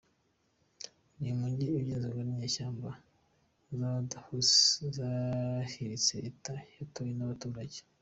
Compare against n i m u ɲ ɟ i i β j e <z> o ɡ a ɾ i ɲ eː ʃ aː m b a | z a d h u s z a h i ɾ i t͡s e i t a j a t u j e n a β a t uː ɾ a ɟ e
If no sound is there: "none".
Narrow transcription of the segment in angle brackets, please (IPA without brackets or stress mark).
z